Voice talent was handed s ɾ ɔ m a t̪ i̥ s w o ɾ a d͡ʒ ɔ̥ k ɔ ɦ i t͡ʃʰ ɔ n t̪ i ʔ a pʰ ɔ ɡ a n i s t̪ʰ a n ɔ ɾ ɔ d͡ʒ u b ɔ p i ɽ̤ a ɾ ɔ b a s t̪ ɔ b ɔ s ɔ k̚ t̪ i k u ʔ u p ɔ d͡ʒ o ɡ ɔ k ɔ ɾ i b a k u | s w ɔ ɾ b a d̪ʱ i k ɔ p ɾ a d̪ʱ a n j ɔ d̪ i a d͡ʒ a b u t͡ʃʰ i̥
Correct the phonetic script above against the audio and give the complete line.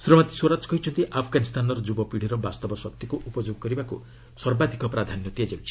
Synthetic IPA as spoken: s ɾ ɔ m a t̪ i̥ s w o ɾ a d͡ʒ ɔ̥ k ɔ ɦ i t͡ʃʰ ɔ n t̪ i ʔ a pʰ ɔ ɡ a n i s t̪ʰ a n ɔ ɾ ɔ d͡ʒ u b ɔ p i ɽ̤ i ɾ ɔ b a s t̪ ɔ b ɔ s ɔ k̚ t̪ i k u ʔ u p ɔ d͡ʒ o ɡ ɔ k ɔ ɾ i b a k u | s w ɔ ɾ b a d̪ʱ i k ɔ p ɾ a d̪ʱ a n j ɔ t̪ i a d͡ʒ a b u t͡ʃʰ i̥